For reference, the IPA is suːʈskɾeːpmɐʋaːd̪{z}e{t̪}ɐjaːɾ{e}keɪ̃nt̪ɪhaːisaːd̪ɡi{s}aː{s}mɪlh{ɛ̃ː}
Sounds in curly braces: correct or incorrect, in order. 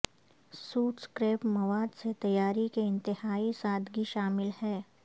incorrect: s, correct, incorrect: i, incorrect: ʃ, incorrect: none, incorrect: ɛː

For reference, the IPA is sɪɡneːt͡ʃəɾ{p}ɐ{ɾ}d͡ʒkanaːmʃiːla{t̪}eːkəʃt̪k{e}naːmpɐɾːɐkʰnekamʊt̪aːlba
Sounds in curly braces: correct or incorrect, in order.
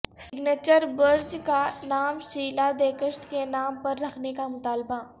incorrect: b, correct, incorrect: d̪, correct

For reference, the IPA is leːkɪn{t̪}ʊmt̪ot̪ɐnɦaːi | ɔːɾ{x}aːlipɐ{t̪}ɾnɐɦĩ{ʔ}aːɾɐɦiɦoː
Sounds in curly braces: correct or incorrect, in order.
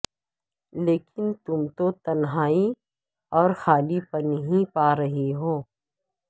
correct, correct, incorrect: none, incorrect: p

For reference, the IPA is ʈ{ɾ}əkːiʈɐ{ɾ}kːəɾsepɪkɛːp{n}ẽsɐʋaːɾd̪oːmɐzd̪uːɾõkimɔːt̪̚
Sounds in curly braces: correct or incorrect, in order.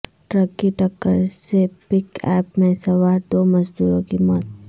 correct, incorrect: none, incorrect: m

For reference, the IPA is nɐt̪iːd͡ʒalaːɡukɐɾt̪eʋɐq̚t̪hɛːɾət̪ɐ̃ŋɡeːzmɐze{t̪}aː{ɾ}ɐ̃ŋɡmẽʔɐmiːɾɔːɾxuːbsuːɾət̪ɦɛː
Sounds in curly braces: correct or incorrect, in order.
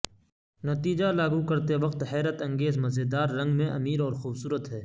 incorrect: d̪, incorrect: ɾː

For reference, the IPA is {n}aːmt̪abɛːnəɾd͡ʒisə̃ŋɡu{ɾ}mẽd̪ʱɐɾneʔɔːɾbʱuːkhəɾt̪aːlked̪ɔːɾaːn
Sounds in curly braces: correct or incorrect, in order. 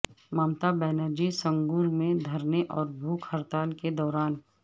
incorrect: m, correct

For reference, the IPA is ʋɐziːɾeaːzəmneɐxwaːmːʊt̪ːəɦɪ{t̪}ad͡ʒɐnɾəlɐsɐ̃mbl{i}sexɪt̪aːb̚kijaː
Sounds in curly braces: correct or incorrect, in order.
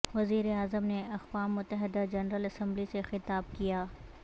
incorrect: d̪, correct

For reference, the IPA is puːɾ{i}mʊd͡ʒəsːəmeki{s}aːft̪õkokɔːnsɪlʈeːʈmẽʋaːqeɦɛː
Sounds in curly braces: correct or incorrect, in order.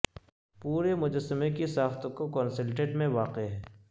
incorrect: e, correct

